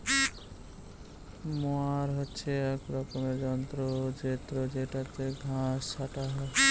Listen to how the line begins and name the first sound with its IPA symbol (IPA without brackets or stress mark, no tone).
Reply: m